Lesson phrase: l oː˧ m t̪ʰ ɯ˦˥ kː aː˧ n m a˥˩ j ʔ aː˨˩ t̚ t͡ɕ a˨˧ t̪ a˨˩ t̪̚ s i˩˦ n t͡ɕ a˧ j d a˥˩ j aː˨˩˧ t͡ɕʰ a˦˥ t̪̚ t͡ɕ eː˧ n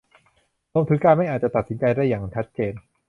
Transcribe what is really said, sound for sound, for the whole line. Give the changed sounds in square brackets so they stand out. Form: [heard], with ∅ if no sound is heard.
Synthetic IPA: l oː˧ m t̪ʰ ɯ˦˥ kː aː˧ n m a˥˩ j ʔ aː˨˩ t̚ t͡ɕ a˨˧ t̪ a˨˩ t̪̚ s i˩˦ n t͡ɕ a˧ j d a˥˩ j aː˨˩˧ t͡ɕʰ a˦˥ t̪̚ t͡ɕ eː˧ n